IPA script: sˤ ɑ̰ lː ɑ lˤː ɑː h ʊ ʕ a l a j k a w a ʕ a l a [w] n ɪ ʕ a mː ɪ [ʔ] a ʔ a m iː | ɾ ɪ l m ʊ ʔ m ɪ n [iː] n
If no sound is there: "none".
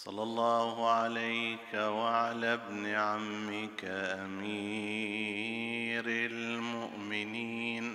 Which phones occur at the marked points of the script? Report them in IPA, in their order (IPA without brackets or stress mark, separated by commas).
b, k, iː